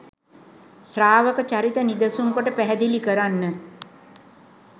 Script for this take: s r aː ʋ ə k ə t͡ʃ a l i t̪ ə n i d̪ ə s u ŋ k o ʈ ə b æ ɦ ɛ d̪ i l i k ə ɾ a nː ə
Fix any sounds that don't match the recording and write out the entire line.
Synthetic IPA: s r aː ʋ ə k ə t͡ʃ a ɾ i t̪ ə n i d̪ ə s u ŋ k o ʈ ə p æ ɦ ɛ d̪ i l i k ə ɾ a nː ə